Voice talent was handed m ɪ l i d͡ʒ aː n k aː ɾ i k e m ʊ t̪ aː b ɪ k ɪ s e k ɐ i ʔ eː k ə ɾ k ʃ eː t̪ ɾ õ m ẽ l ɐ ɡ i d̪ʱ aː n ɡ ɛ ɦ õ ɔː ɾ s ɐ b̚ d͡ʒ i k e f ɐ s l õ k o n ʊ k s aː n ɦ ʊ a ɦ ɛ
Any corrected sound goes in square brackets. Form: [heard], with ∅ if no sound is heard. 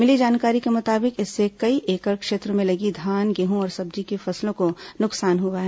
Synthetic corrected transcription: m ɪ l i d͡ʒ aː n k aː ɾ i k e m ʊ t̪ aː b ɪ k ɪ [sː] e k ɐ i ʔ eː k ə ɾ k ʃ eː t̪ ɾ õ m ẽ l ɐ ɡ i d̪ʱ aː n ɡ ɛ ɦ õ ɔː ɾ s ɐ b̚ d͡ʒ i k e f ɐ s l õ k o n ʊ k s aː n ɦ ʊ a ɦ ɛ